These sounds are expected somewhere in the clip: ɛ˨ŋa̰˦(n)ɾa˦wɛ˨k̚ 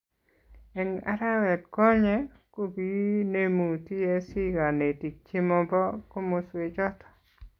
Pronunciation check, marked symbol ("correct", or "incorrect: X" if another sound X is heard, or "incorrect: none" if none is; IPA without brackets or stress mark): incorrect: none